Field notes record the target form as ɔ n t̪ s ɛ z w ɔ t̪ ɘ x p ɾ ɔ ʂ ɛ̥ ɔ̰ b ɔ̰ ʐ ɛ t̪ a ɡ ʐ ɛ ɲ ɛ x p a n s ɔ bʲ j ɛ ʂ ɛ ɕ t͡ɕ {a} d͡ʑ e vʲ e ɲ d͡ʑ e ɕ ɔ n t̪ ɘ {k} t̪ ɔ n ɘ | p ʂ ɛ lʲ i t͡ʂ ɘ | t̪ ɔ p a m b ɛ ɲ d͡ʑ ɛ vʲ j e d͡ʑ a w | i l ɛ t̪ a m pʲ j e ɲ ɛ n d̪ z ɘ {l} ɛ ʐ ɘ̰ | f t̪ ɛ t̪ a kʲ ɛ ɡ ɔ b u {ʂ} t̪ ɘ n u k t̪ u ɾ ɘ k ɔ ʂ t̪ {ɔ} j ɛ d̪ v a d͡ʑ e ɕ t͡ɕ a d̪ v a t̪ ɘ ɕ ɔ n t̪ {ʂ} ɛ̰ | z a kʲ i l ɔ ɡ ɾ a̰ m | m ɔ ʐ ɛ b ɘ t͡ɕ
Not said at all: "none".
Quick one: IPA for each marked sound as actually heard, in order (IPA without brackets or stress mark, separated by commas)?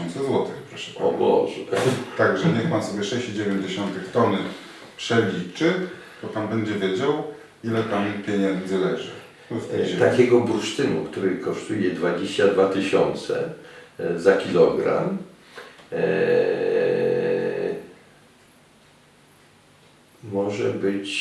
i, x, l, ʂ, u, s